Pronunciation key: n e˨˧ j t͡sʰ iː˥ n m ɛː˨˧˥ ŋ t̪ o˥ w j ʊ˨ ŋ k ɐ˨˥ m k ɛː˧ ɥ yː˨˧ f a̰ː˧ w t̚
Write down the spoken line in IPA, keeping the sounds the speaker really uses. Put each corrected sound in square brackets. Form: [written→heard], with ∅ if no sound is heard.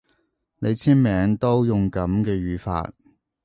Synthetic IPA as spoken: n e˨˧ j t͡sʰ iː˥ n m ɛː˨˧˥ ŋ t̪ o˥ w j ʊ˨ ŋ k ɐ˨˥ m k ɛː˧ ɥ yː˨˧ f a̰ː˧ [w→∅] t̚